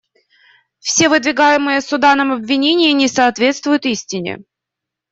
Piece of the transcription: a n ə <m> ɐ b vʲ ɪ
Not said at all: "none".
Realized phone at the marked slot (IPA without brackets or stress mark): m